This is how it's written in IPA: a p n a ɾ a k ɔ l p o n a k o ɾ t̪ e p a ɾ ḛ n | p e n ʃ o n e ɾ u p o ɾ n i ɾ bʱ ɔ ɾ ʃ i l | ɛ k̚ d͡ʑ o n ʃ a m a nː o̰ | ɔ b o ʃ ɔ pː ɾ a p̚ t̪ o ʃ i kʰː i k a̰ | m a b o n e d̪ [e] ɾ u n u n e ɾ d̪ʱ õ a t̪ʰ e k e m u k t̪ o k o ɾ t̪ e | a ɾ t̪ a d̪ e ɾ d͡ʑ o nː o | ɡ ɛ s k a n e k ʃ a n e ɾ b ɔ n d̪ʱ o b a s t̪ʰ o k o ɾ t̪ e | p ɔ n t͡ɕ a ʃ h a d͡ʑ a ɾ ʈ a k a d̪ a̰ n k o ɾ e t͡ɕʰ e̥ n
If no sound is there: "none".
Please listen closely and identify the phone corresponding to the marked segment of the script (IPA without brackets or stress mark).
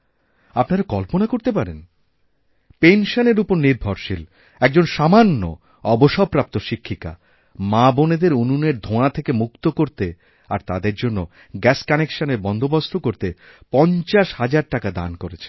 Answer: e